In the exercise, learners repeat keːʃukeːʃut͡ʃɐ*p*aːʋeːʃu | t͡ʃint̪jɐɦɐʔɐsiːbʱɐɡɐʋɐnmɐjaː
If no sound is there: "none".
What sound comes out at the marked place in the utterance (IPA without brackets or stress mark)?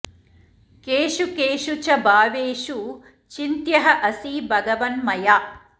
b